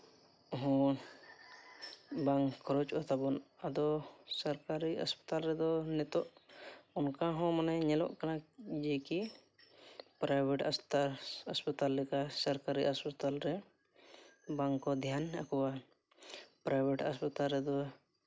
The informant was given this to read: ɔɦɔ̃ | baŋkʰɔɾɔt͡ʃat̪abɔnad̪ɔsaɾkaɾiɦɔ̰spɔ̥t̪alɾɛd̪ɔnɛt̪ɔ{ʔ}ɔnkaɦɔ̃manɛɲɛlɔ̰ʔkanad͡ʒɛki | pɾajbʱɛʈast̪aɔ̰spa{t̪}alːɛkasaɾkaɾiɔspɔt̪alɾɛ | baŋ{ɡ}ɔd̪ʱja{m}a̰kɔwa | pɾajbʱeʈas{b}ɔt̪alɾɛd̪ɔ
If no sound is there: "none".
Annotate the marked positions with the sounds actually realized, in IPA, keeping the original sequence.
ʔ, t̪, k, n, p

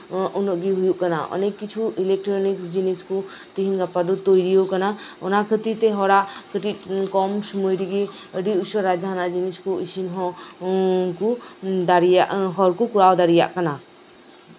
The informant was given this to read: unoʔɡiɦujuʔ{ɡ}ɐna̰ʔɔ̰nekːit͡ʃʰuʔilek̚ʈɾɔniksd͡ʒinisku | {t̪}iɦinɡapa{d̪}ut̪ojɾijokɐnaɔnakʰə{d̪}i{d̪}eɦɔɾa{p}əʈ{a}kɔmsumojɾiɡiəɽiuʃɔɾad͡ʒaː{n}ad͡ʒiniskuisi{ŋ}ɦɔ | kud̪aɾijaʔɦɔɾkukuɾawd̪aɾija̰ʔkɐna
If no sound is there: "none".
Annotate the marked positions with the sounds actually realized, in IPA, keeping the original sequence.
k, t̪, d̪, t̪, t̪, k, i, n, n

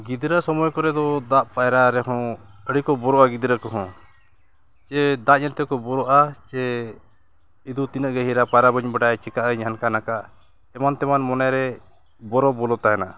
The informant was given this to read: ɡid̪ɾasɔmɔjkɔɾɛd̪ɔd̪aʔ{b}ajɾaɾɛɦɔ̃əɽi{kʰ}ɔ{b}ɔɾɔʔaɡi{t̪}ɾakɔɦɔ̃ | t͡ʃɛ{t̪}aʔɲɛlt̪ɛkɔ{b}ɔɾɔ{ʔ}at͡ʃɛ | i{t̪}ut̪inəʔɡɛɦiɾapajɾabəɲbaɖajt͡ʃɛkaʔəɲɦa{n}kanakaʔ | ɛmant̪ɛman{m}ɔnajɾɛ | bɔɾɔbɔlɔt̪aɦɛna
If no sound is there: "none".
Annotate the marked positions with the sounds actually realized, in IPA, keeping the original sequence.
p, k, b, d̪, d̪, b, ʔ, d̪, n, m

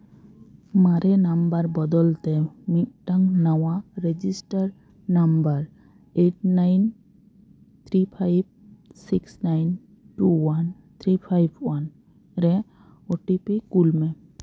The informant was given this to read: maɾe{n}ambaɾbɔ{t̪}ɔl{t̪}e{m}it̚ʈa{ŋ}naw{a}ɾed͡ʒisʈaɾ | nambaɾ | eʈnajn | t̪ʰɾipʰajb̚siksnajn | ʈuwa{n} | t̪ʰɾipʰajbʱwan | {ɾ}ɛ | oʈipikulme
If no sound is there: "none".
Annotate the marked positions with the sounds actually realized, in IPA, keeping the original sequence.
n, d̪, t̪, m, ŋ, a, n, ɾ

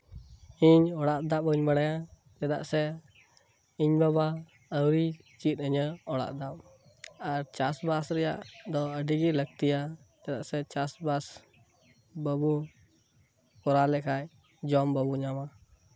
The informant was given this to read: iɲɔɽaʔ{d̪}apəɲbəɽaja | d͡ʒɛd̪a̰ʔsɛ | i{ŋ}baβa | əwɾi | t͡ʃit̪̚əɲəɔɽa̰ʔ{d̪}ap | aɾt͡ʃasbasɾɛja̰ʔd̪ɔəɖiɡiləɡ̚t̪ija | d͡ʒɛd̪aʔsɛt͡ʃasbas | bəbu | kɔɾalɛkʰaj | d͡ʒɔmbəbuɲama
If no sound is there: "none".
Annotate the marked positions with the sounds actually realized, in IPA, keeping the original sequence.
d̪, ɲ, d̪

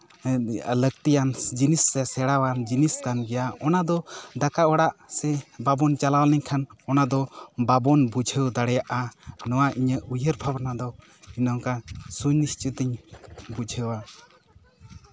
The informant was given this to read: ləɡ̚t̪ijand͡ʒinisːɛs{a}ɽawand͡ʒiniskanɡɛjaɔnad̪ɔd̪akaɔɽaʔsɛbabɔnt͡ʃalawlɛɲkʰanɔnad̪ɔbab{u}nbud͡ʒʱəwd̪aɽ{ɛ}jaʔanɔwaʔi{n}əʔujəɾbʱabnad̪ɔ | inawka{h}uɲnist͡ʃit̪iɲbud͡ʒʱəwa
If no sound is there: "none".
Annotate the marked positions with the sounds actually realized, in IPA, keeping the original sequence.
ɛ, ɔ, ɛ, ɲ, s

